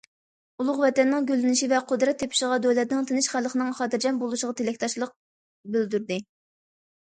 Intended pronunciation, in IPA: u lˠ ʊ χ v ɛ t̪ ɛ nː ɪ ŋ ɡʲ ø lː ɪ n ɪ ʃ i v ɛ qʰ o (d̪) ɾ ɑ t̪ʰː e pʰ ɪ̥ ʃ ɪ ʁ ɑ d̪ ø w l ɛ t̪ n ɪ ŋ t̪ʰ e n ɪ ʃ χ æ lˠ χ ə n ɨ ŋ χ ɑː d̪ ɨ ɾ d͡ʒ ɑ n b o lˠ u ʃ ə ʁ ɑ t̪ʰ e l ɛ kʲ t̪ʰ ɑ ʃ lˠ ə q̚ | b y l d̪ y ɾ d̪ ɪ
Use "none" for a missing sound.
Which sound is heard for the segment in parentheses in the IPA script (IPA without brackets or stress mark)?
d̪